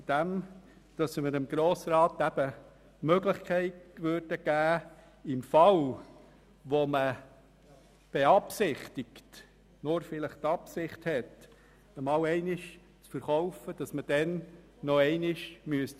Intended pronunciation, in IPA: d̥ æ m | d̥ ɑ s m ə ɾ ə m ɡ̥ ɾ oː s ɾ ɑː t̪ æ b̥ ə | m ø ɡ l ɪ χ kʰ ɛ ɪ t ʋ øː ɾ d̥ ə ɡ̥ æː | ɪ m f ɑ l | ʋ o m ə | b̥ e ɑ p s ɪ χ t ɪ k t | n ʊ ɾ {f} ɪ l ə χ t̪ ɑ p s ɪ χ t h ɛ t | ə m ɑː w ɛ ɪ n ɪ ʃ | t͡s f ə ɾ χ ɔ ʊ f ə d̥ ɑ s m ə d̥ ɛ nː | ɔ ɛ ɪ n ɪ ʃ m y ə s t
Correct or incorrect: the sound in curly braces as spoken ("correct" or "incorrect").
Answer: correct